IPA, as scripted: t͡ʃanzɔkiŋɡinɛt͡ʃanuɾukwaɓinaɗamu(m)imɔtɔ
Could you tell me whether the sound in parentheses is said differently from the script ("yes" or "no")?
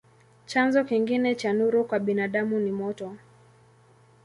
yes